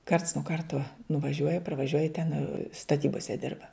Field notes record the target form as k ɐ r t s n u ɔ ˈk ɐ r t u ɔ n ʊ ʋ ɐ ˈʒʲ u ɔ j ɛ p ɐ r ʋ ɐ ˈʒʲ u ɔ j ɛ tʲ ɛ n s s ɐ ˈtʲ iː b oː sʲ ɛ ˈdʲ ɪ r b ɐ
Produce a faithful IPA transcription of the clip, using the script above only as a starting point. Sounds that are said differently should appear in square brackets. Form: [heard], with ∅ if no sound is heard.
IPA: k ɐ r t s n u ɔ ˈk ɐ r t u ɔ n ʊ ʋ ɐ ˈʒʲ u ɔ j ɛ p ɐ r ʋ ɐ ˈʒʲ u ɔ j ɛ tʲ ɛ n s [t] ɐ ˈtʲ iː b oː sʲ ɛ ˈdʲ ɪ r b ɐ

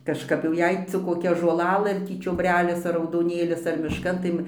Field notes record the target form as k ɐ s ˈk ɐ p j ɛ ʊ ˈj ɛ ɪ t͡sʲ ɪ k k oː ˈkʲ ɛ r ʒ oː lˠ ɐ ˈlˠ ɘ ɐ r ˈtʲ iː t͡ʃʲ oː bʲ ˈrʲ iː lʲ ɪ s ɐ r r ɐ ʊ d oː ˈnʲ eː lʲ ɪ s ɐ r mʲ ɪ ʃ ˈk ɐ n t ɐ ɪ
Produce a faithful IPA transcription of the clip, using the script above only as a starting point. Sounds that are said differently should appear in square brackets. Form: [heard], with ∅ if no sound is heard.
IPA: k ɐ [ʃ] ˈk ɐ p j ɛ ʊ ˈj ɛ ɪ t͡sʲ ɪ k k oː ˈkʲ ɛ [∅] ʒ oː lˠ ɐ ˈlˠ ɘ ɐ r ˈtʲ iː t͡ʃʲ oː bʲ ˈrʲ [æː] lʲ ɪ s ɐ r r ɐ ʊ d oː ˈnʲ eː lʲ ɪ s ɐ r mʲ ɪ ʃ ˈk ɐ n t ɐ ɪ

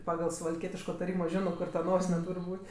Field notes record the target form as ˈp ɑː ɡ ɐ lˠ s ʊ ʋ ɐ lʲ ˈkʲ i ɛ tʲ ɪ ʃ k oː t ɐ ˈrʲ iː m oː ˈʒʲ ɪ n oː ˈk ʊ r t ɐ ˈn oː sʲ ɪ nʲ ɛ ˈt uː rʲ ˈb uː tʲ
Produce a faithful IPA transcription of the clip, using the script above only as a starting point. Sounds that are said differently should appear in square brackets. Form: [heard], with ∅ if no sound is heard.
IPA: ˈp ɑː ɡ ɐ lˠ s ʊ ʋ ɐ lʲ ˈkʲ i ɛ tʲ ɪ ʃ k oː t ɐ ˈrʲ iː m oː ˈʒʲ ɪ n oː ˈk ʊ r t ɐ ˈn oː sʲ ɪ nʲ ɛ ˈt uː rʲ ˈb uː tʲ

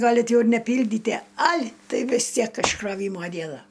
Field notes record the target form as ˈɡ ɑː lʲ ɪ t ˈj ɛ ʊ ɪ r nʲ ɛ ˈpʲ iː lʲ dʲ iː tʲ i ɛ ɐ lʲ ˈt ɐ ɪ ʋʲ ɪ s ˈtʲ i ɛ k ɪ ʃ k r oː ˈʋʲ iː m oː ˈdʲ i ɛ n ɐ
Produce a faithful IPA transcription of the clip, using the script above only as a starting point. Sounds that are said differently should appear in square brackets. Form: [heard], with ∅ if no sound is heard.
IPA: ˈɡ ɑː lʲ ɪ t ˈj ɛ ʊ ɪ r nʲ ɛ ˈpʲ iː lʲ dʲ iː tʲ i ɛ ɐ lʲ ˈt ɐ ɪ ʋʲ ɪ s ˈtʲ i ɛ k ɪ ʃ k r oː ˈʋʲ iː m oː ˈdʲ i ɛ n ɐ

